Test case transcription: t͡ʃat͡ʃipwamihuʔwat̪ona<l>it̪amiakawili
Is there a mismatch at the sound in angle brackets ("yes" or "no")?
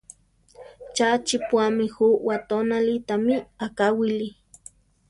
no